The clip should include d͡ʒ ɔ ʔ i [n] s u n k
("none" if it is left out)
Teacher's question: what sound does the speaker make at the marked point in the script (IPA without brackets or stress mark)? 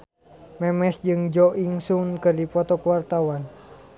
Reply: ŋ